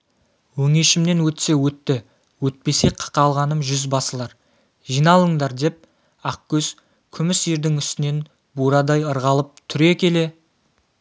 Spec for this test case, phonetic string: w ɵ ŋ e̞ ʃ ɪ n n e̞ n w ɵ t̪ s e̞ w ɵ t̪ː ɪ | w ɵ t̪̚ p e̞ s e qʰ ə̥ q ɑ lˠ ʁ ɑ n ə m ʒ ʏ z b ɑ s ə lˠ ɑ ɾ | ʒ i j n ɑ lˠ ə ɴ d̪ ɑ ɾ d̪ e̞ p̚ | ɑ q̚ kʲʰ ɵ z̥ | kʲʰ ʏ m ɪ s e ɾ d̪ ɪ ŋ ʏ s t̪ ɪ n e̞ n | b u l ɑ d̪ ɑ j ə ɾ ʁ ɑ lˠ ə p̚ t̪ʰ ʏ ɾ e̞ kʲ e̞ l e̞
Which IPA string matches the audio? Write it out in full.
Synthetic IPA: w ɵ ŋ e̞ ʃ ɪ m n e̞ n w ɵ t̪ s e̞ w ɵ t̪ː ɪ | w ɵ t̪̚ p e̞ s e qʰ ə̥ q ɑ lˠ ʁ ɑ n ə m ʒ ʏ z b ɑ s ə lˠ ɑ ɾ | ʒ i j n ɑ lˠ ə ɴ d̪ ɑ ɾ d̪ e̞ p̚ | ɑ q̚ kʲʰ ɵ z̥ | kʲʰ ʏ m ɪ s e ɾ d̪ ɪ ŋ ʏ s t̪ ɪ n e̞ n | b u ɾ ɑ d̪ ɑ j ə ɾ ʁ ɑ lˠ ə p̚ t̪ʰ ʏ ɾ e̞ kʲ e̞ l e̞